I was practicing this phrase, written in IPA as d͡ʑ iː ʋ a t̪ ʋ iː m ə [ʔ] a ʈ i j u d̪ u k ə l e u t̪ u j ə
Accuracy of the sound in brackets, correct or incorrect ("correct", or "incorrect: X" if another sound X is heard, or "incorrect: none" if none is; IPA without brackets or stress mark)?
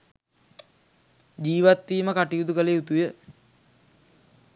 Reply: incorrect: k